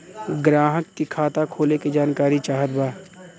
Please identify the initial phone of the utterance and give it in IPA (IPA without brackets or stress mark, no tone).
ɡ